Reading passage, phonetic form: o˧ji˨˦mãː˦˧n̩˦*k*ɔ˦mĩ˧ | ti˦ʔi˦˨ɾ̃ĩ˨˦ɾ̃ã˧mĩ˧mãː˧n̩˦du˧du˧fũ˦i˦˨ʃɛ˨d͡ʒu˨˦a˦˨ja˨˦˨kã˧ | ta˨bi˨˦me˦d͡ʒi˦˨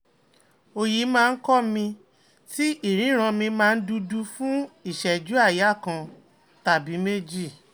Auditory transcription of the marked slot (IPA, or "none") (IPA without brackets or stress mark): k